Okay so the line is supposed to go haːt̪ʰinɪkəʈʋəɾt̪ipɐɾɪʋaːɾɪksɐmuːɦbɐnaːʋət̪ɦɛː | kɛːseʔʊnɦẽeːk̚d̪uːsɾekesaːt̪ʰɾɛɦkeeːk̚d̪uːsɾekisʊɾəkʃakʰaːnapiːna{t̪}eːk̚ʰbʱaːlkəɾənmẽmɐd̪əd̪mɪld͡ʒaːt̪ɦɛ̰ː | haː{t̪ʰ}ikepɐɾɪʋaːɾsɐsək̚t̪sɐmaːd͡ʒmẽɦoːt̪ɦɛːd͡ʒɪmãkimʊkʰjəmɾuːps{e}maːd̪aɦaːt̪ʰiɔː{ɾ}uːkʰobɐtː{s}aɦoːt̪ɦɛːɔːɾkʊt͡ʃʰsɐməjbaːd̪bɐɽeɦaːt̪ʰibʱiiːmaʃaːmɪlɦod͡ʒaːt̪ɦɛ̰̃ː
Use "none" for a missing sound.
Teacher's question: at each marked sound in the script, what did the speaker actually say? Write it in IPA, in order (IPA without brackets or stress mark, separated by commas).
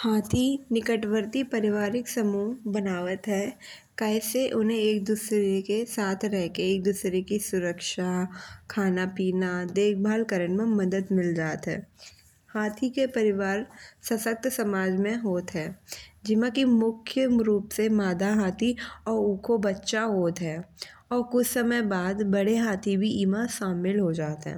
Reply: d̪, t̪ʰ, e, ɾ, ʃ